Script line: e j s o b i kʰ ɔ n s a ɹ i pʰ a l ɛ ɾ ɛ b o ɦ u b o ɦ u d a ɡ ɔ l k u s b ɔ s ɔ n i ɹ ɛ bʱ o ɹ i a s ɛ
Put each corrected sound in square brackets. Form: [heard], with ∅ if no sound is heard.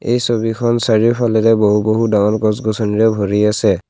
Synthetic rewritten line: e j s o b i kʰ ɔ n s a ɹ i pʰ a l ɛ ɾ ɛ b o ɦ u b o ɦ u d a [ŋ] ɔ l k [ɔ] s [ɡ] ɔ s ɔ n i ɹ ɛ bʱ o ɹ i a s ɛ

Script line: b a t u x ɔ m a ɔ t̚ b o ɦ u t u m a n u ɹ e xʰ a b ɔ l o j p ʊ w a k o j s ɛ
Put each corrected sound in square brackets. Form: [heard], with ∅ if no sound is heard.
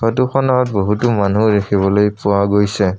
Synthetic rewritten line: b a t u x ɔ [n] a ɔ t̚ b o ɦ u t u m a n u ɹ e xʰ [i] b ɔ l o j p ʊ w a [ɡ] o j s ɛ

